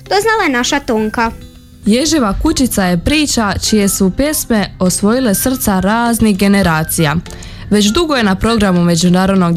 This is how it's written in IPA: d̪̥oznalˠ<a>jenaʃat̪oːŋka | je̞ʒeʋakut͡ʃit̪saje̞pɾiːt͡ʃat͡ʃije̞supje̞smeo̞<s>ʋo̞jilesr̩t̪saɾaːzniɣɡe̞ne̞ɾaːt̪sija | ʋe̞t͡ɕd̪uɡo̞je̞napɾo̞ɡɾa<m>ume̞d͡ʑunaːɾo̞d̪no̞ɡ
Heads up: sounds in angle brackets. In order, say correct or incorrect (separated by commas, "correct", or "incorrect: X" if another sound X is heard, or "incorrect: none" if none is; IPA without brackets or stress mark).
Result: correct, correct, correct